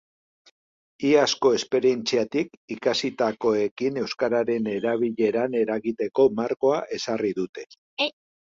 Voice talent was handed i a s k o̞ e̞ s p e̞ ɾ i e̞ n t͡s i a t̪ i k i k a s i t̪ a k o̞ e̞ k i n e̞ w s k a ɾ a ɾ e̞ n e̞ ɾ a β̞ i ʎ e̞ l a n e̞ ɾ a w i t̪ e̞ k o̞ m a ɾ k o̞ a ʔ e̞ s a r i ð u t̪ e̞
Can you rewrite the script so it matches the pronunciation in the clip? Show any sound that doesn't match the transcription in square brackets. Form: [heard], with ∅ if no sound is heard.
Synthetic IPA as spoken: i a s k o̞ e̞ s p e̞ ɾ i e̞ n t͡s i a t̪ i k i k a s i t̪ a k o̞ e̞ k i n e̞ w s k a ɾ a ɾ e̞ n e̞ ɾ a β̞ i ʎ e̞ [ɾ] a n e̞ ɾ a [ɣ] i t̪ e̞ k o̞ m a ɾ k o̞ a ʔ e̞ s a r i ð u t̪ e̞